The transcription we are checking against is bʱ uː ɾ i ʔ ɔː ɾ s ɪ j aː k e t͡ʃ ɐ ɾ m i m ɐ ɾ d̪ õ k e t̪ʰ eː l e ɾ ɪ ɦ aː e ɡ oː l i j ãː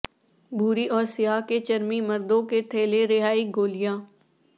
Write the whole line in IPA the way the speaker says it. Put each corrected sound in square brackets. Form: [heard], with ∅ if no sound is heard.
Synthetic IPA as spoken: bʱ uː ɾ i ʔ ɔː ɾ s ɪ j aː k e t͡ʃ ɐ ɾ m i m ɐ ɾ d̪ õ k e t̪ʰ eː l e ɾ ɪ ɦ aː [i] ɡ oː l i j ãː

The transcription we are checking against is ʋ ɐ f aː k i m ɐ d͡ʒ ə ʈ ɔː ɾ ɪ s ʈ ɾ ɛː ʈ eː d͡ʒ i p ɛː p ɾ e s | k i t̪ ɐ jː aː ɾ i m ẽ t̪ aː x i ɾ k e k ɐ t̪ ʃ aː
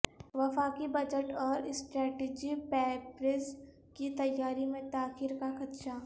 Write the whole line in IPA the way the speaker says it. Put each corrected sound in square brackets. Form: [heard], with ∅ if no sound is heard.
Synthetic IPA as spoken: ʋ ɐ f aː k i [b] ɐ d͡ʒ ə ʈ ɔː ɾ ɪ s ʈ ɾ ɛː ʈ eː d͡ʒ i p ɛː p ɾ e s | k i t̪ ɐ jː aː ɾ i m ẽ t̪ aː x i ɾ k [a] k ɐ t̪ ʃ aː

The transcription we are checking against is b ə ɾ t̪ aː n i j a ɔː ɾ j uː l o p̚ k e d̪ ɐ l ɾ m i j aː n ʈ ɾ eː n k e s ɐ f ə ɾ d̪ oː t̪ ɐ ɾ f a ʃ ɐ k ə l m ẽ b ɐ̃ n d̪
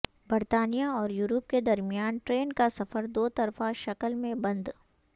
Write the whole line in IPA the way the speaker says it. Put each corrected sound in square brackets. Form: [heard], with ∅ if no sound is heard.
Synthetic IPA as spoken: b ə ɾ t̪ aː n i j a ɔː ɾ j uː [ɾ] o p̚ k e d̪ ɐ [∅] ɾ m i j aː n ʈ ɾ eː n k [a] s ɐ f ə ɾ d̪ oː t̪ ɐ ɾ f a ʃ ɐ k ə l m ẽ b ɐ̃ n d̪

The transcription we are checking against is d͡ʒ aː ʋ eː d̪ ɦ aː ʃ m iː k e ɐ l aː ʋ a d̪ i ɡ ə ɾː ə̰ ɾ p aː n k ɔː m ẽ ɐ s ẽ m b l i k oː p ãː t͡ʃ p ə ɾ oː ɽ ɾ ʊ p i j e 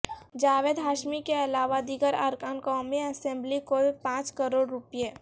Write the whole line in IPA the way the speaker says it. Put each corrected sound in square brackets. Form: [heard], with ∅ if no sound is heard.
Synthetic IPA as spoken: d͡ʒ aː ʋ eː d̪ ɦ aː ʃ m [i] k e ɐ l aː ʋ a d̪ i ɡ ə [ɾ] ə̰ ɾ [k] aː n k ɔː m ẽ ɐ s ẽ m b l i k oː p ãː t͡ʃ [k] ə ɾ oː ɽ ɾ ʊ p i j e

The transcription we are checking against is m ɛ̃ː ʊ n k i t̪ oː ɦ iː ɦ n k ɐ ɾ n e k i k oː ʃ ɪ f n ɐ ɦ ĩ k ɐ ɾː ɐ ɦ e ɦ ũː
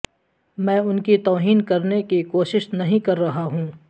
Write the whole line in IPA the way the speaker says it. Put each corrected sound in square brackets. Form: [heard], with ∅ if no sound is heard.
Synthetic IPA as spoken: m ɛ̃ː ʊ n k i t̪ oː ɦ iː [∅] n k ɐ ɾ n e k i k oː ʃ ɪ [ʃ] n ɐ ɦ ĩ k ɐ ɾː ɐ ɦ [a] ɦ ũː

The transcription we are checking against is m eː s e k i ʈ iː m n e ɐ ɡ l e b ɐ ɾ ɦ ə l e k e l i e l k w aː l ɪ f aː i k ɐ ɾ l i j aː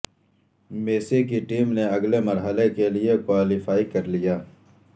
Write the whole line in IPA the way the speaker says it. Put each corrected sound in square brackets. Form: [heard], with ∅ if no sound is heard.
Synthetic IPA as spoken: m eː s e k i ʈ iː m n e ɐ ɡ l e [m] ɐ ɾ ɦ ə l e k e l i e [∅] k w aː l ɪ f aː i k ɐ ɾ l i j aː

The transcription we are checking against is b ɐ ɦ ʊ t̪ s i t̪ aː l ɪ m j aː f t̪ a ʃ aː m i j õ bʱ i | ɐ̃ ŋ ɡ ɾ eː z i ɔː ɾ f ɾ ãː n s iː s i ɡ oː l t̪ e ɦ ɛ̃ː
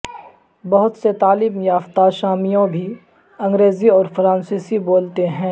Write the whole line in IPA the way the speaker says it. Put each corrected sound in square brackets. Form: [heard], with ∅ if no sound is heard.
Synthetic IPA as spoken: b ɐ ɦ ʊ t̪ s [e] t̪ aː l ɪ m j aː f t̪ a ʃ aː m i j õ bʱ i | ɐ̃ ŋ ɡ ɾ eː z i ɔː ɾ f ɾ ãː n s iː s i [b] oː l t̪ e ɦ ɛ̃ː

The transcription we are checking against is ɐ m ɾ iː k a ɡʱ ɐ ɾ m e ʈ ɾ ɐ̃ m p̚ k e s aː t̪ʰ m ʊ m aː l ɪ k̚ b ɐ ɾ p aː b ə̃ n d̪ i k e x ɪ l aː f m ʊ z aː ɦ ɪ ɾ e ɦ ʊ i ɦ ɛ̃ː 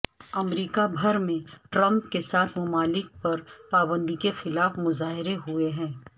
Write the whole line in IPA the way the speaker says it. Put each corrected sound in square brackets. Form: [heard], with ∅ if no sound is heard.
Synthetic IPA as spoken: ɐ m ɾ iː k a [bʱ] ɐ ɾ m [ẽ] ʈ ɾ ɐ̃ m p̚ k e s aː t̪ʰ m ʊ m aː l ɪ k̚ [p] ɐ ɾ p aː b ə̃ n d̪ i k e x ɪ l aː f m ʊ z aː ɦ ɪ ɾ e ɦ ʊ [e] ɦ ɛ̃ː

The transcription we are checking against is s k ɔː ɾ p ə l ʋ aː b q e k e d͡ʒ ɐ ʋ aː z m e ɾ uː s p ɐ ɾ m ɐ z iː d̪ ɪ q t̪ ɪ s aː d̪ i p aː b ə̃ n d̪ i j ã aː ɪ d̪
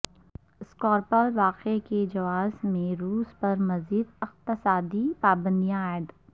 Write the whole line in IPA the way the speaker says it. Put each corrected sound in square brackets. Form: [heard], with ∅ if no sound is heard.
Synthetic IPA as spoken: s k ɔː ɾ p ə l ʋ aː [∅] q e k e d͡ʒ ɐ ʋ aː z m [ẽ] ɾ uː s p ɐ ɾ m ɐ z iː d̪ ɪ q t̪ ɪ s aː d̪ i p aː b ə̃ n d̪ i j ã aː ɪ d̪

